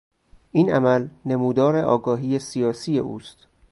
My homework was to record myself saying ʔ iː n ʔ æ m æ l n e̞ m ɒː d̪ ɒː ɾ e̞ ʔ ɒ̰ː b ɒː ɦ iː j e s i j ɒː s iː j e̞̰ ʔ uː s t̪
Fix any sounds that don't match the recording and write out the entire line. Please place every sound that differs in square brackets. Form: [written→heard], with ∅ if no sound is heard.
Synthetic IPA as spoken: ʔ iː n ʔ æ m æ l n e̞ m [ɒː→uː] d̪ ɒː ɾ e̞ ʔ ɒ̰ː [b→ɡ] ɒː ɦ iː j e s i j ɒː s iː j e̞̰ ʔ uː s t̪